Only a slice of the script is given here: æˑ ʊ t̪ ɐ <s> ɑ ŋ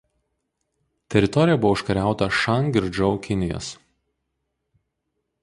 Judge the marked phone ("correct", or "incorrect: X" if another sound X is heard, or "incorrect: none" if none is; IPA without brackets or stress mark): incorrect: ʃ